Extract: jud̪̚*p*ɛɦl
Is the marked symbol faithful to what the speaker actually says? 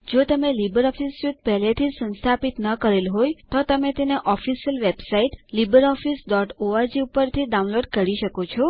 yes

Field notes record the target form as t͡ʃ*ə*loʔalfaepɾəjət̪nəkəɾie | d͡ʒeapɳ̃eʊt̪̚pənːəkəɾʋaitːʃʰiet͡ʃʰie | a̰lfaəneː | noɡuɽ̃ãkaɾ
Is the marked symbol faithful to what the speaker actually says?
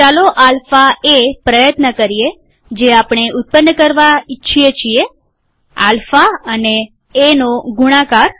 no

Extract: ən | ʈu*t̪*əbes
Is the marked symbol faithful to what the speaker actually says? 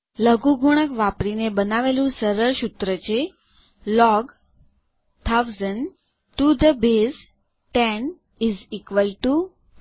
no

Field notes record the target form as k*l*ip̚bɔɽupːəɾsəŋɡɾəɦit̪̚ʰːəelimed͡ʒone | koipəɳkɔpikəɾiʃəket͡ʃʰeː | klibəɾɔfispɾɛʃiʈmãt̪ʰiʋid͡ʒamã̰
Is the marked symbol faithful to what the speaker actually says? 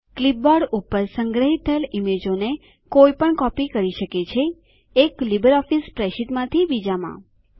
yes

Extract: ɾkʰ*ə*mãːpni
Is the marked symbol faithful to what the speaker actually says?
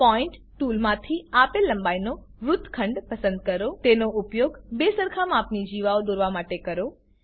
no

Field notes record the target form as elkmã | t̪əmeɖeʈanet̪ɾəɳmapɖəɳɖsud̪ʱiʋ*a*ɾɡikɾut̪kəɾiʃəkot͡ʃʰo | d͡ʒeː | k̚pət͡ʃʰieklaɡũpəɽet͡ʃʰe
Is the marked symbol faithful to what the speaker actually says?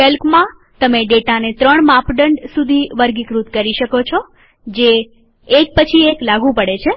no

